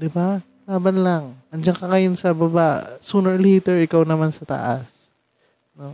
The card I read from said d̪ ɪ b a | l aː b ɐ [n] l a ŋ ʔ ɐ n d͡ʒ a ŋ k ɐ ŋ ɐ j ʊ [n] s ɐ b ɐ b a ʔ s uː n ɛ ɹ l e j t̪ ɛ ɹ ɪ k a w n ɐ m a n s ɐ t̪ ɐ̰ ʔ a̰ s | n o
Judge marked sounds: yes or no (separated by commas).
yes, yes